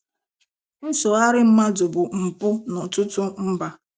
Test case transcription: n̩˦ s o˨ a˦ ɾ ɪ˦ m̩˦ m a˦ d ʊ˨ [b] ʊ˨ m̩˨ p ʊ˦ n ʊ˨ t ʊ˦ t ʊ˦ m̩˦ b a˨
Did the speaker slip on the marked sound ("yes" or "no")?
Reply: no